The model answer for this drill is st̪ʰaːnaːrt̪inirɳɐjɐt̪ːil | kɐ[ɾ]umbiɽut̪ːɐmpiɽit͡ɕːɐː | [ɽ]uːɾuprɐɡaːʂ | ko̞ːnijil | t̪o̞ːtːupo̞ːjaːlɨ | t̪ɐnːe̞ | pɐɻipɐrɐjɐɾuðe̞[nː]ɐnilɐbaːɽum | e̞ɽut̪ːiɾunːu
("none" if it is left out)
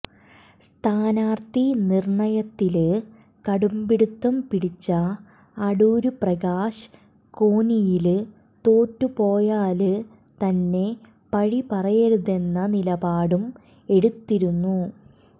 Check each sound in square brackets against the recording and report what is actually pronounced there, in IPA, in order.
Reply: ɽ, ɽ, nː

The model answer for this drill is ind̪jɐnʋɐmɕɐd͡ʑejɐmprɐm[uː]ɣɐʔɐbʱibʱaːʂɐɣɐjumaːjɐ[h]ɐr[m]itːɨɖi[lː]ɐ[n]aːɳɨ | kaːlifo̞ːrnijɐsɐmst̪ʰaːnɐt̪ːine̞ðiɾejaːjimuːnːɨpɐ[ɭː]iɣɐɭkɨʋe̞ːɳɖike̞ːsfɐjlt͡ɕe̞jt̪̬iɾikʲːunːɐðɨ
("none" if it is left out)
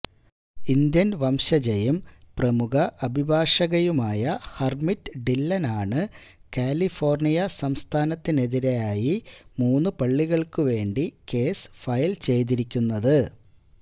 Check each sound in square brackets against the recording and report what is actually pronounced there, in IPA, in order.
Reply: u, h, m, lː, n, ɭː

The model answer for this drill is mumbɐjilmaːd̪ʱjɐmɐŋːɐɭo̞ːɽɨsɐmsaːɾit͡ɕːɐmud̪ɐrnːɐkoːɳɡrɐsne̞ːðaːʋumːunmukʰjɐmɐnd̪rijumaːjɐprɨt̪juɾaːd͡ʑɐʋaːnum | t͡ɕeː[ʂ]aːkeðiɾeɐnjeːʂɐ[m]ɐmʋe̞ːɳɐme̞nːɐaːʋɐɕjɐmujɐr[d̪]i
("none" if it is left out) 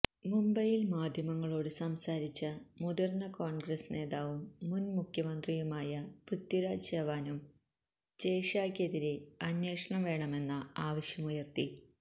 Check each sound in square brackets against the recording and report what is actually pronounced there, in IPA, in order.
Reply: ʂ, ɳ, t̪

